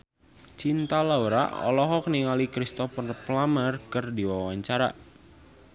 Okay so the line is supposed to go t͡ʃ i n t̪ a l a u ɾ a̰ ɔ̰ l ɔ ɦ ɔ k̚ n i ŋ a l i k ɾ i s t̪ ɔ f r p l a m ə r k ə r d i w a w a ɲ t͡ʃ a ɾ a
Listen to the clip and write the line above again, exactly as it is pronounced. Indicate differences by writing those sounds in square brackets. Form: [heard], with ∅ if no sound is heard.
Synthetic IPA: t͡ʃ i n t̪ a l a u ɾ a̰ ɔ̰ l ɔ ɦ ɔ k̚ n i ŋ a l i k ɾ i s t̪ ɔ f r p l a m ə r k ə r d i w a w a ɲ t͡ʃ a ɾ a